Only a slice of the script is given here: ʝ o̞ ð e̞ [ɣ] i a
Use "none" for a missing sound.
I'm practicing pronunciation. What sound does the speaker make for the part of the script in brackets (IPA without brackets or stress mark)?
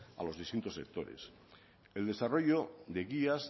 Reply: ɣ